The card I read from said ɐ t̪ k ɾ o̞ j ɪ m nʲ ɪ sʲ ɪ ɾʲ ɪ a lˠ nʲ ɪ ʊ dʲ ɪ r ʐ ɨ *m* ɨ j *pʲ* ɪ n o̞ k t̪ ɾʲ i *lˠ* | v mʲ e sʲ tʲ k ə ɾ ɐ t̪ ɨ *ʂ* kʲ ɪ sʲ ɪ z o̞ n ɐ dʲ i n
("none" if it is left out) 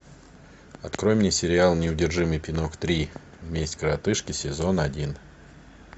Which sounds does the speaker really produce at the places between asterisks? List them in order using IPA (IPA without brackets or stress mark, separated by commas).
m, pʲ, none, ʂ